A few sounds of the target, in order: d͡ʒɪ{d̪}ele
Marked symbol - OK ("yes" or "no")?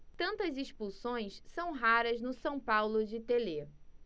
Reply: no